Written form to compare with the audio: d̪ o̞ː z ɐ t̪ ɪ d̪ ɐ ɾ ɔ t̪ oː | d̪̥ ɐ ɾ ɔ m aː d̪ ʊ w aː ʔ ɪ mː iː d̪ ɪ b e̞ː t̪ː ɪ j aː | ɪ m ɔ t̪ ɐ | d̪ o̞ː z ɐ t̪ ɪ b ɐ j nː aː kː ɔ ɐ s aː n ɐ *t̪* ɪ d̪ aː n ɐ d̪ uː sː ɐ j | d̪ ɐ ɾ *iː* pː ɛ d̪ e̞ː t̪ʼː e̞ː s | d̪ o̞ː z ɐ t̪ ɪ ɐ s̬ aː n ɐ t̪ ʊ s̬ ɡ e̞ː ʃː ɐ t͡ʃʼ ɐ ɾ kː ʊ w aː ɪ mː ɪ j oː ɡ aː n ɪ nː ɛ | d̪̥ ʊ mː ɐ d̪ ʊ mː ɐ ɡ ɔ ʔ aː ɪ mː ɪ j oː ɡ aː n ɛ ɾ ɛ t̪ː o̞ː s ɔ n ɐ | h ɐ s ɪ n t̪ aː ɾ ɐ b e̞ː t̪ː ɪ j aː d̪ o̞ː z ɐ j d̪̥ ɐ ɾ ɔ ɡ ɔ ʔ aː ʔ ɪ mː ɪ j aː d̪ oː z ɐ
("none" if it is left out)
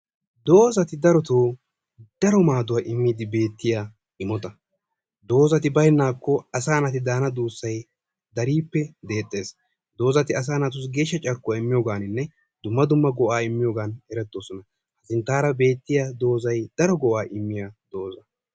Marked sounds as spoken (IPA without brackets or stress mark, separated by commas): t̪, iː